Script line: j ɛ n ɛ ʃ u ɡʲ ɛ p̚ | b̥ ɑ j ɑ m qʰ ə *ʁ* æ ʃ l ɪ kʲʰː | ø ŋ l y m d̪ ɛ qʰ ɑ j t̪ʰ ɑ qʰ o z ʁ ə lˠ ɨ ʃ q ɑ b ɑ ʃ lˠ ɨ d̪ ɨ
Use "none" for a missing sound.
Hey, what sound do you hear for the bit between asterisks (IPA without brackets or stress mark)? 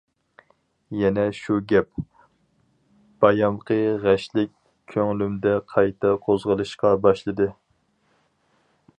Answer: ʁ